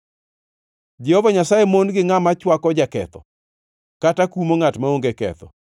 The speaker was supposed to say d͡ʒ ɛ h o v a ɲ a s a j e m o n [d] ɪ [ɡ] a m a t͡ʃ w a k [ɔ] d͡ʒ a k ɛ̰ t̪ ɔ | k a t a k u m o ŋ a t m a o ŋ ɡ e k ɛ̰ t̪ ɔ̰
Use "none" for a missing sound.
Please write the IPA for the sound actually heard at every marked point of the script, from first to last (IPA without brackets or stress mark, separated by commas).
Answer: ɡ, ŋ, ɔ